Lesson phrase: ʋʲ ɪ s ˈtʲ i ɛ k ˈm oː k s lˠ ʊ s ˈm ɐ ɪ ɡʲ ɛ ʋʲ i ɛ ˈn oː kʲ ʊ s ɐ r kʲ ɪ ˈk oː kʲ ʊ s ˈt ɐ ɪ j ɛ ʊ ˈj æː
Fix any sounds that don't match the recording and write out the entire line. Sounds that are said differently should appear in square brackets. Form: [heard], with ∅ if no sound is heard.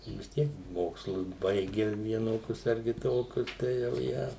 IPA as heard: ʋʲ ɪ s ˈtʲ i ɛ k ˈm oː k s lˠ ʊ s [ˈb] ɐ ɪ ɡʲ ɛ ʋʲ i ɛ ˈn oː kʲ ʊ s ɐ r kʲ ɪ [ˈt] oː kʲ ʊ s ˈt ɐ ɪ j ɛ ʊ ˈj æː